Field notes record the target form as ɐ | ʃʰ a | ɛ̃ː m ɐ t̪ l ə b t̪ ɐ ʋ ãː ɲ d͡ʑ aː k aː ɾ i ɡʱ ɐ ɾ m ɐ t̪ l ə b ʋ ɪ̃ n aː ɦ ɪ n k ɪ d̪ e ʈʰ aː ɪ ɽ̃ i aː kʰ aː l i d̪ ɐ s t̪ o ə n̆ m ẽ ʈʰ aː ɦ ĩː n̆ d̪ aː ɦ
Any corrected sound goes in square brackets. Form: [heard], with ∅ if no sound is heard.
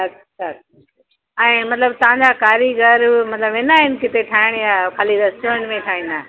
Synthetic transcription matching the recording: ɐ | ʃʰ a | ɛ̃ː m ɐ t̪ l ə b t̪ ɐ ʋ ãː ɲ d͡ʑ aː k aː ɾ i ɡʱ ɐ ɾ m ɐ t̪ l ə b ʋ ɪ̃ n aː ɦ ɪ n k ɪ [t̪] e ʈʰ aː ɪ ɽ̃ [j] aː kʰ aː l i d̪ ɐ s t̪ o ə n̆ m ẽ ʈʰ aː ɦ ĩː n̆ d̪ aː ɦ